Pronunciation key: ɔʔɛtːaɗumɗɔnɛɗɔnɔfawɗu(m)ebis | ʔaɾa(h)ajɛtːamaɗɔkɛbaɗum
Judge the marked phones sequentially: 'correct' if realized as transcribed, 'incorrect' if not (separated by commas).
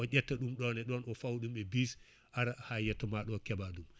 correct, correct